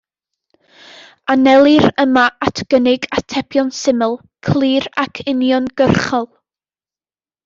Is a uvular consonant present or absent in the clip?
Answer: present